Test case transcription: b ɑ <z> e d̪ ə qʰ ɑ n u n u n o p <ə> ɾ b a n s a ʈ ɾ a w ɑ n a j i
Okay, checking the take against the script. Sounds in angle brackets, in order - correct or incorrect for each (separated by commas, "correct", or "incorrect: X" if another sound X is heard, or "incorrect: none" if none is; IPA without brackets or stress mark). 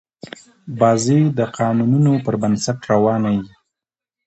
correct, correct